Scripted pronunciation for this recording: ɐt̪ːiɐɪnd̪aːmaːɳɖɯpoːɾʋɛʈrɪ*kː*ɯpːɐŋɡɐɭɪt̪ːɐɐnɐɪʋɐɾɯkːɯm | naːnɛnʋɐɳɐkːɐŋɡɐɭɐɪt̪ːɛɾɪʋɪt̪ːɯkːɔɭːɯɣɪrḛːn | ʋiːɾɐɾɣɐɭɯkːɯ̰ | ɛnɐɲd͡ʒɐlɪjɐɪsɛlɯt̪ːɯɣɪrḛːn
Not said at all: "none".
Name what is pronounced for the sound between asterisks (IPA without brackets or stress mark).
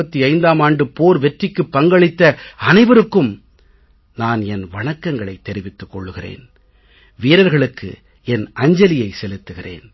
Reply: kː